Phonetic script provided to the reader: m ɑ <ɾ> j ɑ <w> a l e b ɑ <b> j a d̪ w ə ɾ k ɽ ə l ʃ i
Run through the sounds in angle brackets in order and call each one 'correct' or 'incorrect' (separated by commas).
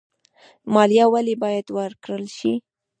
incorrect, correct, incorrect